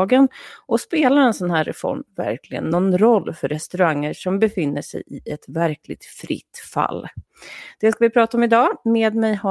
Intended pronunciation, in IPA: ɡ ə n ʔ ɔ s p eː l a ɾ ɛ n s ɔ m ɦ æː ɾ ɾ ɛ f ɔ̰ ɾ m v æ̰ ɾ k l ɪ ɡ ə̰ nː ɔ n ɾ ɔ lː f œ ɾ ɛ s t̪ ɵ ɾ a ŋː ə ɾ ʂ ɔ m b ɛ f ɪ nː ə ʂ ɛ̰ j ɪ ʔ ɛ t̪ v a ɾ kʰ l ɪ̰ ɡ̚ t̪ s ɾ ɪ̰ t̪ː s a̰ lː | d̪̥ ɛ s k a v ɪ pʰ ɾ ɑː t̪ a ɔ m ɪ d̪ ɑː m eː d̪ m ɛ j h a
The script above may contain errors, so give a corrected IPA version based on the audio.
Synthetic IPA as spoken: ɡ ə n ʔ ɔ s p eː l a ɾ ɛ n s ɔ n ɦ æː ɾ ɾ ɛ f ɔ̰ ɾ m v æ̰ ɾ k l ɪ ɡ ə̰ nː ɔ n ɾ ɔ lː f œ ɾ ɛ s t̪ ɵ ɾ a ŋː ə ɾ ʂ ɔ m b ɛ f ɪ nː ə ʂ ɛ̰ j ɪ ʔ ɛ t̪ v æ ɾ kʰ l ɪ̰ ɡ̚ t̪ f ɾ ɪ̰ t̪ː f a̰ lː | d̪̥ ɛ s k a v ɪ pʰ ɾ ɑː t̪ a ɔ m ɪ d̪ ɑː m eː d̪ m ɛ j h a